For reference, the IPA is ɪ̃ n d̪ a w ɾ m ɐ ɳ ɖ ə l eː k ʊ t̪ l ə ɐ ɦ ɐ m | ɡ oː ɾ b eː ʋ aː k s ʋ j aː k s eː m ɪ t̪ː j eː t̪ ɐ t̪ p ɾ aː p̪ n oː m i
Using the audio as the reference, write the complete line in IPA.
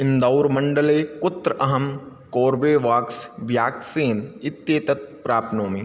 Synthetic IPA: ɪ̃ n d̪ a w ɾ m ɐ ɳ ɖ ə l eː k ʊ t̪ ɾ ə ɐ ɦ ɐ m | k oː ɾ b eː ʋ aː k s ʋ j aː k s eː n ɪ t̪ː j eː t̪ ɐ t̪ p ɾ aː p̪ n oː m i